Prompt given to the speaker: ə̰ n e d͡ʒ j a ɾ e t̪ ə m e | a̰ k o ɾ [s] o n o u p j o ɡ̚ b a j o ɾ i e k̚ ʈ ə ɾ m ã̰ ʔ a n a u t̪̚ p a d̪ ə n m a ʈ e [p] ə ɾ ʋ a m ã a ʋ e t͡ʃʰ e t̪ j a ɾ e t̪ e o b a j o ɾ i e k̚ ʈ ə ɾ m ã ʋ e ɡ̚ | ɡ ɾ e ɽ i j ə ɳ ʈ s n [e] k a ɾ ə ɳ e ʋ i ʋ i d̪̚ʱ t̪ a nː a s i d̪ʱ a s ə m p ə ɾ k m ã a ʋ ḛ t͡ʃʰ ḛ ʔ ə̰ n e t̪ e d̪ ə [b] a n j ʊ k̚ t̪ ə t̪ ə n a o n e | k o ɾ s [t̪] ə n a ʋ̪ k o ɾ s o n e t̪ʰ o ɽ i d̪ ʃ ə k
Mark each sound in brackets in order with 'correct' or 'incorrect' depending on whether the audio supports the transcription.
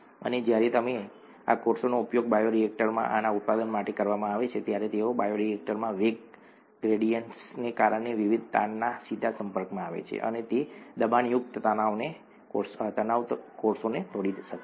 correct, incorrect, correct, correct, correct

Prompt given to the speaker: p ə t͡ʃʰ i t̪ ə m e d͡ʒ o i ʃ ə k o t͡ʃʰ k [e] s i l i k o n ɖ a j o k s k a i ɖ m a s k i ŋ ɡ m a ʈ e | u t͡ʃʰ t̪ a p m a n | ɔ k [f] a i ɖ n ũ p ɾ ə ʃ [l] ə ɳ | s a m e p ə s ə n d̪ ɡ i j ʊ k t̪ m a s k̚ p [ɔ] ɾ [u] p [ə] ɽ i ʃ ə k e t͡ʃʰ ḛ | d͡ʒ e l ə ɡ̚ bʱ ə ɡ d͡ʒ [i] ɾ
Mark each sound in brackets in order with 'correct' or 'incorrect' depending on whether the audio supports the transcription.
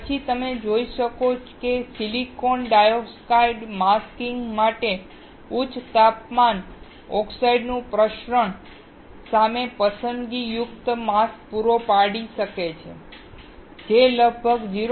correct, incorrect, incorrect, incorrect, incorrect, incorrect, correct

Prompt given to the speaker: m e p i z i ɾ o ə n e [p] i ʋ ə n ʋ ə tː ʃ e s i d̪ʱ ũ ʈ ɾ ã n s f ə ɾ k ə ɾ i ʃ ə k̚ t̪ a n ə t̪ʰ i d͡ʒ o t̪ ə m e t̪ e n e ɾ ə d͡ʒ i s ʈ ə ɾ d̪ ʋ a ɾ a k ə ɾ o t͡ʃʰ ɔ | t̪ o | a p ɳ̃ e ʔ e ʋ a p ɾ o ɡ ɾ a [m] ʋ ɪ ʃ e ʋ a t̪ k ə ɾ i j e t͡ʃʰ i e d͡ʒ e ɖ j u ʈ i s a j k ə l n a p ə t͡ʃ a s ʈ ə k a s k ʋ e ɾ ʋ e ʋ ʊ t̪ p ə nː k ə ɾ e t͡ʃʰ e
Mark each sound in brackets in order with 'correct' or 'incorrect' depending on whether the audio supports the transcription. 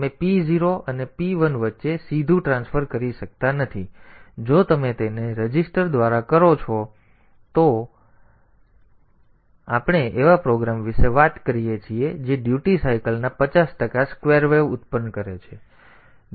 correct, correct

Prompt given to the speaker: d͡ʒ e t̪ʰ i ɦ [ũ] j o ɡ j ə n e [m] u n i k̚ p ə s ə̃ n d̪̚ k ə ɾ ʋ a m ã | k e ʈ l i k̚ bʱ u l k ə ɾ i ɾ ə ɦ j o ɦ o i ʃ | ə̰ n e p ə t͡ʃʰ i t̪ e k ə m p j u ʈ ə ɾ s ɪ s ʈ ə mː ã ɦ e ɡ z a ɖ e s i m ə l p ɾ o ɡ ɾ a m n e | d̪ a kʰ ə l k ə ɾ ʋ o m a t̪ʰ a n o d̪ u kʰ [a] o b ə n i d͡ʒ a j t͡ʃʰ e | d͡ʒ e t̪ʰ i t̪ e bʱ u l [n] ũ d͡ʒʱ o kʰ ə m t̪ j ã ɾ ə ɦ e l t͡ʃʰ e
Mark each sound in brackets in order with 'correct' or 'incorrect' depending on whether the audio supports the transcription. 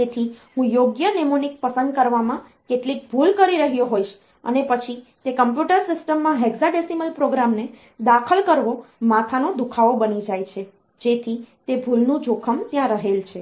correct, correct, correct, correct

